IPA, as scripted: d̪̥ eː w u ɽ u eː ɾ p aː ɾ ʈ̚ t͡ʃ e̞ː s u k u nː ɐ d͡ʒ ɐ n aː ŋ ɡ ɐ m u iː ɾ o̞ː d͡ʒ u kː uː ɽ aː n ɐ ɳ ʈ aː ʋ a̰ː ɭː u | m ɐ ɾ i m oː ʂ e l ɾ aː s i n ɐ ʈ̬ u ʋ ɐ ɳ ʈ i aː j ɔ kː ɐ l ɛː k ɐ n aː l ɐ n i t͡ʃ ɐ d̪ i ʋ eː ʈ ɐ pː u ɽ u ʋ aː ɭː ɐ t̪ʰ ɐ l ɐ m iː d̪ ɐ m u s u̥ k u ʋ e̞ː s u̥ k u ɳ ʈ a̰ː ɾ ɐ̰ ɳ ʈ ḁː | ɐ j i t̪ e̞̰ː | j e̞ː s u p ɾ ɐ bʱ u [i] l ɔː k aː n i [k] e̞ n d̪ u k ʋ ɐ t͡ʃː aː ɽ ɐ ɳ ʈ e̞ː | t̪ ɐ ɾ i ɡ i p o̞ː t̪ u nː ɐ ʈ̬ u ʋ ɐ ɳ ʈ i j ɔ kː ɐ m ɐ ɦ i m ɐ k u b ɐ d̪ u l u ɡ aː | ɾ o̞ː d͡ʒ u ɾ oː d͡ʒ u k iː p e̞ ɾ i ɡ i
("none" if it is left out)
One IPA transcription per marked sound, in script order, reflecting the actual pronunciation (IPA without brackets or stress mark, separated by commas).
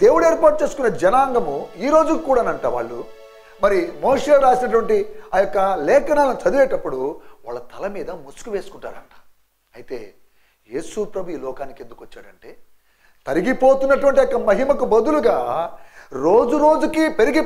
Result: iː, k